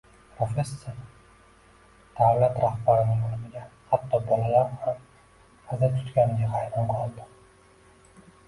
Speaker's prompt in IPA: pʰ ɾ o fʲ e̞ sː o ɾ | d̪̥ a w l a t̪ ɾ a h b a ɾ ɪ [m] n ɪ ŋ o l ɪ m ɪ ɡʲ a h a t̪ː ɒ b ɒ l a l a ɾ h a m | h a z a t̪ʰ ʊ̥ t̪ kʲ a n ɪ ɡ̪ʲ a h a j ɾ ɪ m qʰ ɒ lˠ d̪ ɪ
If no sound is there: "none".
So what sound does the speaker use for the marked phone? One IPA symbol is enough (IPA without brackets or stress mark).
none